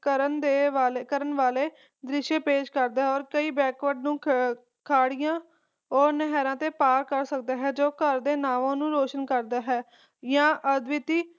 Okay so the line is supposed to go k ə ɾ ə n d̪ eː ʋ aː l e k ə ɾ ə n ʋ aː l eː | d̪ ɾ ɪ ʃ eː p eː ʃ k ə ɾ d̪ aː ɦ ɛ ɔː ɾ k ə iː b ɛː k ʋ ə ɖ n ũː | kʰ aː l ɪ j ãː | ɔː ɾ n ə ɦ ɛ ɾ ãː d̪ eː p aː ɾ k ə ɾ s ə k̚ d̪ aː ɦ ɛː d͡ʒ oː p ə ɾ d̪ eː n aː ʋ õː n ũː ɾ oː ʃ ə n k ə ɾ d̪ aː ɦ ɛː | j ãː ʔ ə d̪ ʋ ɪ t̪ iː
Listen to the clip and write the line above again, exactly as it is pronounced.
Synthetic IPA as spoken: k ə ɾ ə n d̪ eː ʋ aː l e k ə ɾ ə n ʋ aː l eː | d̪ ɾ ɪ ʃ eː p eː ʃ k ə ɾ d̪ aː ɦ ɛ ɔː ɾ k ə iː b ɛː k ʋ ə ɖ n ũː | kʰ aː ɽ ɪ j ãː | ɔː ɾ n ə ɦ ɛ ɾ ãː t̪ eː p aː ɾ k ə ɾ s ə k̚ d̪ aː ɦ ɛː d͡ʒ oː k ə ɾ d̪ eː n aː ʋ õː n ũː ɾ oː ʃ ə n k ə ɾ d̪ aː ɦ ɛː | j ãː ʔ ə d̪ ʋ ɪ t̪ iː